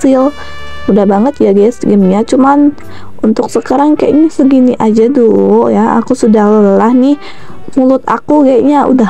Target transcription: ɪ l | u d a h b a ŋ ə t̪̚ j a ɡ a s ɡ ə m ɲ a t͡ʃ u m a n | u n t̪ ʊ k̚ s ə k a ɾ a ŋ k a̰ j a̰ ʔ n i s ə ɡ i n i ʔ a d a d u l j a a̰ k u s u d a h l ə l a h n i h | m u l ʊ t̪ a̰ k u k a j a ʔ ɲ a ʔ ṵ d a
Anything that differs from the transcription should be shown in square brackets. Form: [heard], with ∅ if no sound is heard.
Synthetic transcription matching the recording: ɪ l | u d a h b a ŋ ə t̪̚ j a ɡ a s ɡ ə m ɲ a t͡ʃ u m a n | u n t̪ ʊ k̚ s ə k a ɾ a ŋ k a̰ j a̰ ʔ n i s ə ɡ i n i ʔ a [d͡ʒ] a d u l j a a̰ k u s u d a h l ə l a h n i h | m u l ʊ t̪ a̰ k u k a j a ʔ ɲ a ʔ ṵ d a